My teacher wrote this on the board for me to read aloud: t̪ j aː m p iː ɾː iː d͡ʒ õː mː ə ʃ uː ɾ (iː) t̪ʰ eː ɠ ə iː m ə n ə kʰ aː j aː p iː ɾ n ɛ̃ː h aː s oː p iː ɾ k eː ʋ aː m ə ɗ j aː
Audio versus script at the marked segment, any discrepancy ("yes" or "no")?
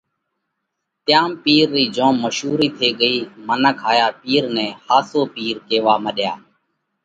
no